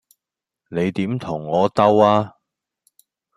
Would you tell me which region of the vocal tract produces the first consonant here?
tongue tip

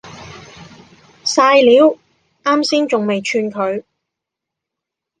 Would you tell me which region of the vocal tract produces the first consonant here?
tongue tip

